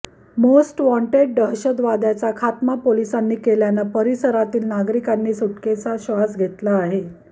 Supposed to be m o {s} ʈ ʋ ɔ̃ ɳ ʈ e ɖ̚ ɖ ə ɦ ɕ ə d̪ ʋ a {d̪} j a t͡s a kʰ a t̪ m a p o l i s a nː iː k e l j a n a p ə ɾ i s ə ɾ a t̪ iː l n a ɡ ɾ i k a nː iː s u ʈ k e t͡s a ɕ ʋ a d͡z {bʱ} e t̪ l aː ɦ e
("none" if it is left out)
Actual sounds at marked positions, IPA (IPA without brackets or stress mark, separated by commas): s, d̪, ɡʱ